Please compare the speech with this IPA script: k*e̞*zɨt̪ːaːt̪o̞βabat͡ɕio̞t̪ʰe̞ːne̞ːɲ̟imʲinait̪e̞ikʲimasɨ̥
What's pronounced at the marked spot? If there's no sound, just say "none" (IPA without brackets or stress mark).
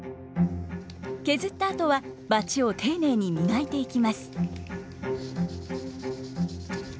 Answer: e̞